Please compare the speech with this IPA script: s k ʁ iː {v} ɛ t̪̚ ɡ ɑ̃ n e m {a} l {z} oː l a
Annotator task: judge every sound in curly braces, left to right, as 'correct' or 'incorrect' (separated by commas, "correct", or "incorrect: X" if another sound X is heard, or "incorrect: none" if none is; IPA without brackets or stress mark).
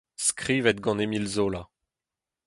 correct, incorrect: i, correct